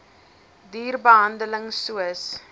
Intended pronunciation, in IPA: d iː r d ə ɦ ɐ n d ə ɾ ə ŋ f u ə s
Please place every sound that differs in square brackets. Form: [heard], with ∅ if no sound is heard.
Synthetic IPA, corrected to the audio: d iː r [b] ə ɦ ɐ n d ə [l] ə ŋ [s] u ə s